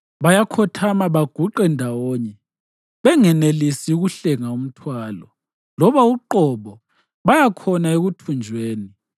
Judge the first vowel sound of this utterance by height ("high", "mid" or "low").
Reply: low